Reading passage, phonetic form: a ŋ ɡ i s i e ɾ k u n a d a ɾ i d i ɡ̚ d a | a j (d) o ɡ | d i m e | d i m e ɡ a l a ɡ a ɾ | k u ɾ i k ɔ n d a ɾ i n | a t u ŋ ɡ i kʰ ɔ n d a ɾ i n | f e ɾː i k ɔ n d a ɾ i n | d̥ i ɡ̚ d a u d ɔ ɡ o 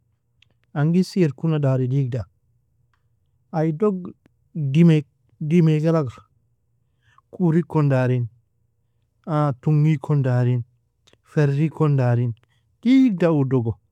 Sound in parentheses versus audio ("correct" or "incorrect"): correct